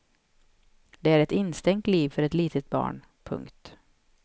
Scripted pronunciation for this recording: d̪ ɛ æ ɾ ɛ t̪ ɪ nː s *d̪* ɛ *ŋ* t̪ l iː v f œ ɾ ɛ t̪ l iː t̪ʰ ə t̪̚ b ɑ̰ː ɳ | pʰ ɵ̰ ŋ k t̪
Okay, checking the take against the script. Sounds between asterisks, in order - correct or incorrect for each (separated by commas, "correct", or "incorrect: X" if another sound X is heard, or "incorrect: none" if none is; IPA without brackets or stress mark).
incorrect: t̪, correct